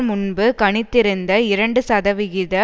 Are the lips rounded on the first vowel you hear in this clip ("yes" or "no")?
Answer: yes